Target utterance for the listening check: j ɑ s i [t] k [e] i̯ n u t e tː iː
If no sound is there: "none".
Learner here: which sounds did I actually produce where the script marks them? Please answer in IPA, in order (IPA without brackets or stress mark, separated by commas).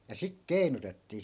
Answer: k, e